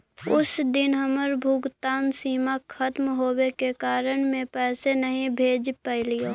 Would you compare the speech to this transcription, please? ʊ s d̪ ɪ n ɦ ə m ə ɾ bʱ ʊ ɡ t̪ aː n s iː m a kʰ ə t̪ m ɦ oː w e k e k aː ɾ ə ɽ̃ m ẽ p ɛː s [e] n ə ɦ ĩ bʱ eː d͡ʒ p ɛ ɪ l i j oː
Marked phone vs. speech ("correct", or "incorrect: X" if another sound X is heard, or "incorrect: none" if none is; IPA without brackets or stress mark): correct